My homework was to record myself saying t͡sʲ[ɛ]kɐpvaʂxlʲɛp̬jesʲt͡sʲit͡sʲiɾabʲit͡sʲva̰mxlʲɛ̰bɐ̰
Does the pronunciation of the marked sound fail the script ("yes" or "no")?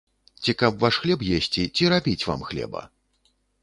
yes